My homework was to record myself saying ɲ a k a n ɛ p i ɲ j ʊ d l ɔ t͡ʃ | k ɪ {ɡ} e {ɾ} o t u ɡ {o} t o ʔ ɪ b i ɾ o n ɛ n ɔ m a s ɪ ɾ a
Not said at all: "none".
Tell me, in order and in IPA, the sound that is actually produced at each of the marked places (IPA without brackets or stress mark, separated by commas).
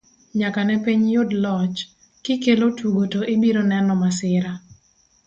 k, l, o